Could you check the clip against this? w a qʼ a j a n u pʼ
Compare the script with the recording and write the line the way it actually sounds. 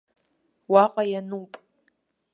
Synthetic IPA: w a qʼ a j a n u pʼ